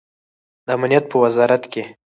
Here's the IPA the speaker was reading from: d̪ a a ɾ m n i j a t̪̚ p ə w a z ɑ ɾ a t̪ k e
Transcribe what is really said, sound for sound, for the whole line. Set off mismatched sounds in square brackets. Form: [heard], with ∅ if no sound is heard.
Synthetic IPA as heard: d̪ [ə] a [∅] m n i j a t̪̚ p ə w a z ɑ ɾ a t̪ k e